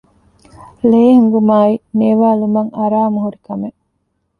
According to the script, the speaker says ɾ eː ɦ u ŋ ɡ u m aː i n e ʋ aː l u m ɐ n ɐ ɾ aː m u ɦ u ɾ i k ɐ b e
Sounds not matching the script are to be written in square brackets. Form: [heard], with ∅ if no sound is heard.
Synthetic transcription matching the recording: [l] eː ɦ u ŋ ɡ u m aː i n e ʋ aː l u m ɐ [ŋ] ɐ ɾ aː m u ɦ u ɾ i k ɐ [m] e